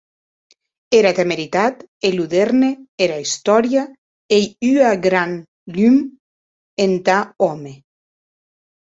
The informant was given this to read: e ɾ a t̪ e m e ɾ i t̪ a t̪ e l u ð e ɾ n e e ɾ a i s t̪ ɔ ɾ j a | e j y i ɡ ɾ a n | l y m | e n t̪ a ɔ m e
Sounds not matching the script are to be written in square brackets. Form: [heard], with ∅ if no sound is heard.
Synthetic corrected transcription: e ɾ a t̪ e m e ɾ i t̪ a t̪ e l u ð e ɾ n e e ɾ a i s t̪ ɔ ɾ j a | e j y [a] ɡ ɾ a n | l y m | e n t̪ a ɔ m e